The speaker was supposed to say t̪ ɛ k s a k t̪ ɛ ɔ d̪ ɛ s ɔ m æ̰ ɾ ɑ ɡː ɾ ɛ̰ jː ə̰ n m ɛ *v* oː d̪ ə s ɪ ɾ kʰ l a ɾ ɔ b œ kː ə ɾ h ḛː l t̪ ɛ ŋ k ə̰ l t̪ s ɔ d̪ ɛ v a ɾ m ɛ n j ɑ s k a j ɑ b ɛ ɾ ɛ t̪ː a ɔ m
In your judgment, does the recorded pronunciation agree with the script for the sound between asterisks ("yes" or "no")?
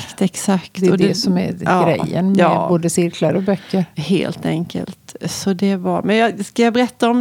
no